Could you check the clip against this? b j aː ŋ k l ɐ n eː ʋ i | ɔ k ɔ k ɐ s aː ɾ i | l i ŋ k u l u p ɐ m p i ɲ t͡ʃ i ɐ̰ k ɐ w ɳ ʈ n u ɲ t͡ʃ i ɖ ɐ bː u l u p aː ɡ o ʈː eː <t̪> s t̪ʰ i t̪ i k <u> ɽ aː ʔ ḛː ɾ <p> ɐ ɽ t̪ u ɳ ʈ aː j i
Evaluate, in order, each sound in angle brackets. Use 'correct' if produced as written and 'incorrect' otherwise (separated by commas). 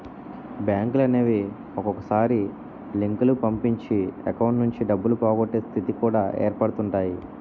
incorrect, incorrect, correct